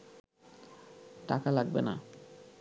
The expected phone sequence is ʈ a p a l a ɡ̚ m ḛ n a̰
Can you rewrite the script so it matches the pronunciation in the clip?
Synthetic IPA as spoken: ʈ a k a l a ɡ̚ b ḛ n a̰